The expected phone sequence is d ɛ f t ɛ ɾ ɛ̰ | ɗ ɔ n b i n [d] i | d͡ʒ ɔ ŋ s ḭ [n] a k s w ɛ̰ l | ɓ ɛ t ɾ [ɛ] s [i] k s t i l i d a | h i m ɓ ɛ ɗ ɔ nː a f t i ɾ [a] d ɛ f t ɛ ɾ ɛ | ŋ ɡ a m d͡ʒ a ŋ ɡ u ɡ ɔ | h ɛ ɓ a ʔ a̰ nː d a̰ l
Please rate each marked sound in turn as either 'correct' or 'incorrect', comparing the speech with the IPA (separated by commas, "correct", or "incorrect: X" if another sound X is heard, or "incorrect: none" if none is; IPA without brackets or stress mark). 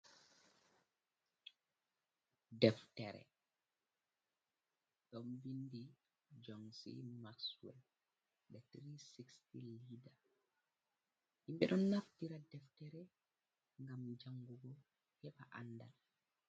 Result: correct, incorrect: m, incorrect: i, correct, correct